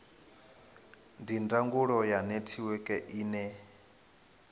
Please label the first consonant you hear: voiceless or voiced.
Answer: voiced